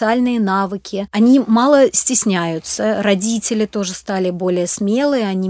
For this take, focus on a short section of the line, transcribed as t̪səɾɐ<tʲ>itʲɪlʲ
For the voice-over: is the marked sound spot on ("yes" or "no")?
no